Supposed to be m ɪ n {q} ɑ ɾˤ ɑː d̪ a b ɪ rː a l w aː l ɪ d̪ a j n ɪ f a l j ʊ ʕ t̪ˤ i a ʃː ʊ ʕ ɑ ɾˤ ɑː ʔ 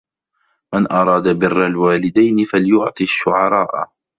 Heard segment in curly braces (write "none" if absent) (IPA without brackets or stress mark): ʔ